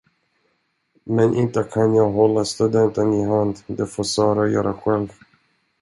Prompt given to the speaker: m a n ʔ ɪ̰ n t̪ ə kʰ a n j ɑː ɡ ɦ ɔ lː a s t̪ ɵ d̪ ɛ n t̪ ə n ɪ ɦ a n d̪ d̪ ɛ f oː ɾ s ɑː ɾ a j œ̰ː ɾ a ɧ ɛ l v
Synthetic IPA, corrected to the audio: m ɛ n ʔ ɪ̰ n t̪ ə kʰ a n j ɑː ɡ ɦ ɔ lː a s t̪ ɵ d̪ ɛ n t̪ ə n ɪ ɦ a n d̪ d̪ ɛ f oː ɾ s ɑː ɾ a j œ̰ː ɾ a ɧ ɛ l v